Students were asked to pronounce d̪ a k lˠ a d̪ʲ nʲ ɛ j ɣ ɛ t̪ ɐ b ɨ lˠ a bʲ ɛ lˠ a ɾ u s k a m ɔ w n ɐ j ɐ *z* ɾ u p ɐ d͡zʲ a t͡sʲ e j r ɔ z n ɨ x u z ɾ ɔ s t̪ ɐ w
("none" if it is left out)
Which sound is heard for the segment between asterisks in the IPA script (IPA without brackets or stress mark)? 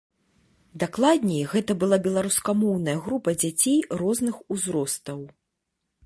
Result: ɣ